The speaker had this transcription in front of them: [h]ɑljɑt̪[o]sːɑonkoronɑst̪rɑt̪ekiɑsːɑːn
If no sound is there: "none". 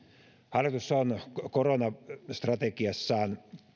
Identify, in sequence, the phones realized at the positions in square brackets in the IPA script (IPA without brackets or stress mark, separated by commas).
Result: h, u